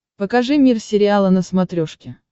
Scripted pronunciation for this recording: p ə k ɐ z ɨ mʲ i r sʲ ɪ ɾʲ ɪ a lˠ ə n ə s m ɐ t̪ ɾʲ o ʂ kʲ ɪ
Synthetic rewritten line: p ə k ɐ ʐ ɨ mʲ i r sʲ ɪ ɾʲ ɪ a lˠ ə n ə s m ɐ t̪ ɾʲ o ʂ kʲ ɪ